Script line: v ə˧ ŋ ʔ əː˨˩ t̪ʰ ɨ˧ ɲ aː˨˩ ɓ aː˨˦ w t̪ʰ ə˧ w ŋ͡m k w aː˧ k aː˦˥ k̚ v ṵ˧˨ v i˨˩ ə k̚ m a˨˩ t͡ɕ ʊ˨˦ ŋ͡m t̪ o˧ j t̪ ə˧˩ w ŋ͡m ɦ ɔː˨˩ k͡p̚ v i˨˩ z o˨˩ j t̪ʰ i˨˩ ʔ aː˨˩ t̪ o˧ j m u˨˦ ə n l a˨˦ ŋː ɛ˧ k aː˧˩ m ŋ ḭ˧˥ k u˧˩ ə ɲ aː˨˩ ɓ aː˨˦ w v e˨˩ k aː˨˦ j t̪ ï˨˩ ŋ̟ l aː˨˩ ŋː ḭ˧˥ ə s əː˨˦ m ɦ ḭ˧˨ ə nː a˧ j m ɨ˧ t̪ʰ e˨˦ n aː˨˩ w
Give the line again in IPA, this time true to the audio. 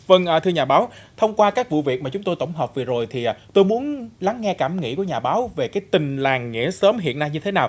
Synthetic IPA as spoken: v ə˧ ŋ ʔ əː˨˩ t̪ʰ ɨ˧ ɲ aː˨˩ ɓ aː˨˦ w t̪ʰ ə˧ w ŋ͡m k w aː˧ k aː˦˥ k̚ v ṵ˧˨ v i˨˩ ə k̚ m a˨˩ t͡ɕ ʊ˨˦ ŋ͡m t̪ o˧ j t̪ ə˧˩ w ŋ͡m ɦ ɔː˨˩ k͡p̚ v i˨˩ z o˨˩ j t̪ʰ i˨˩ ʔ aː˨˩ t̪ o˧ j m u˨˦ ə n l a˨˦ ŋː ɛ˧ k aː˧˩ m ŋ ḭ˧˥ k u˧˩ ə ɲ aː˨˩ ɓ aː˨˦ w v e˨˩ k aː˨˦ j t̪ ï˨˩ ŋ̟ l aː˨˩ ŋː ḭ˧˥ ə s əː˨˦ m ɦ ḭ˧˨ ə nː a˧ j ɲ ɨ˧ t̪ʰ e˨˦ n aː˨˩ w